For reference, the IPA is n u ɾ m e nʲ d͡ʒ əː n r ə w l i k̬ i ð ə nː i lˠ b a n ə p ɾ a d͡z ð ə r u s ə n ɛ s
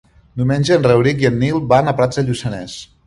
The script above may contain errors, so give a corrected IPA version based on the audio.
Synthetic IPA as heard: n u m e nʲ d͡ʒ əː n r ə w ɾ i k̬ i ə nː i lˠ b a n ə p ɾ a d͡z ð ə ʎ u s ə n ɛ s